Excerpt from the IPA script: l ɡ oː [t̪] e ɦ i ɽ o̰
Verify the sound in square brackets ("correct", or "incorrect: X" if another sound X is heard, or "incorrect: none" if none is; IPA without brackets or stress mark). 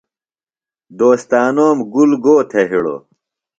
incorrect: t̪ʰ